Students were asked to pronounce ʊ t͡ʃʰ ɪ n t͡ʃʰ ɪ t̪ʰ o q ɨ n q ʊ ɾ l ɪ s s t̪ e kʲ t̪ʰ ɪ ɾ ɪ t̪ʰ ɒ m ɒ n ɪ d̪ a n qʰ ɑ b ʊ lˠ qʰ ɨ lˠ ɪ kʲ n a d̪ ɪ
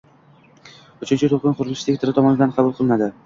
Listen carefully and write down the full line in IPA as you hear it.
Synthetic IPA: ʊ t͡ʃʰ ɪ n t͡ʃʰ ɪ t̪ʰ o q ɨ n q ʊ ɾ l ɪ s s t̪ e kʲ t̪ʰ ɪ ɾ ɪ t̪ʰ ɒ m ɒ n ɪ d̪ a n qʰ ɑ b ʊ lˠ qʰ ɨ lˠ ɪ n a d̪ ɪ